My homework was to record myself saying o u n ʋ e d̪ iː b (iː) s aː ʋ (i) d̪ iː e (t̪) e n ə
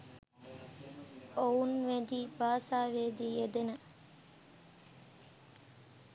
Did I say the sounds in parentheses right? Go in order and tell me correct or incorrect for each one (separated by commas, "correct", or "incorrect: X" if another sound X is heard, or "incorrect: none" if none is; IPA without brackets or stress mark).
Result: incorrect: aː, incorrect: e, incorrect: d̪